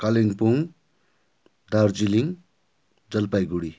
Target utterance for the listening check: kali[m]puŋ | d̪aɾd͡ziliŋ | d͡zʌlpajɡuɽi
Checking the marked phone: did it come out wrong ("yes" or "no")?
yes